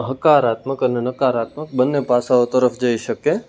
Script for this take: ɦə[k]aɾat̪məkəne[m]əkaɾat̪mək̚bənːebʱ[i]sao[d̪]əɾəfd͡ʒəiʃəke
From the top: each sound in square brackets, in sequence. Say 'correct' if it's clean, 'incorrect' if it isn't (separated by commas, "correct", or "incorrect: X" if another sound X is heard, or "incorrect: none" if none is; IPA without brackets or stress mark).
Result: correct, incorrect: n, incorrect: a, incorrect: t̪